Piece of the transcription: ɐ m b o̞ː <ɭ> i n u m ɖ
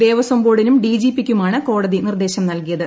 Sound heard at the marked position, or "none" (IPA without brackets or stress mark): ɽ